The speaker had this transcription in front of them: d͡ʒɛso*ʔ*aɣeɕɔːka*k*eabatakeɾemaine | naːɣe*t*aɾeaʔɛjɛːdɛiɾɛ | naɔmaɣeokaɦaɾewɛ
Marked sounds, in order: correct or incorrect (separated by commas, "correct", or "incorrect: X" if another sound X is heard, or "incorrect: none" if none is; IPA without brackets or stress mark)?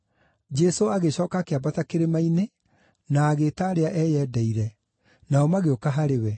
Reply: incorrect: none, correct, correct